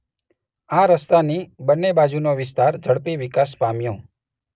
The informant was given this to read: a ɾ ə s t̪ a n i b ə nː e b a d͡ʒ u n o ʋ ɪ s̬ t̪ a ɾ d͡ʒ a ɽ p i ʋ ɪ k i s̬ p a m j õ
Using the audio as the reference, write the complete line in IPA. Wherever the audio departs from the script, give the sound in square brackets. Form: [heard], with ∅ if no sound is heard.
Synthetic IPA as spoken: a ɾ ə s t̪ a n i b ə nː e b a d͡ʒ u n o ʋ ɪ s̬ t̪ a ɾ d͡ʒ [ə] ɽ p i ʋ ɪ k [a] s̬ p a m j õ